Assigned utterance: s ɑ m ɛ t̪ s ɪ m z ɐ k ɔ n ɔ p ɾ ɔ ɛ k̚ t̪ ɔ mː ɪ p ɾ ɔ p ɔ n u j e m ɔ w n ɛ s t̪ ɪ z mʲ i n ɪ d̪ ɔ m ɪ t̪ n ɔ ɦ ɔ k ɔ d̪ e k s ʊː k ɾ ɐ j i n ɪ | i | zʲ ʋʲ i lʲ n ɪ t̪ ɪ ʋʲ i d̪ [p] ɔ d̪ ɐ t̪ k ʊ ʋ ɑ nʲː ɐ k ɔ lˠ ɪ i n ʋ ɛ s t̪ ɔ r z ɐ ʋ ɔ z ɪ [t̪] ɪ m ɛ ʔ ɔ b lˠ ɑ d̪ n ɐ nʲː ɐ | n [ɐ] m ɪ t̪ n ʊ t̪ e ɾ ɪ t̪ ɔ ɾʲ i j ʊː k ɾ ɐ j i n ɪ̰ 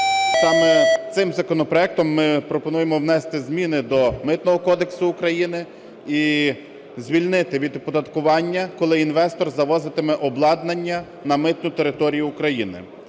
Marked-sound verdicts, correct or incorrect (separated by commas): correct, correct, correct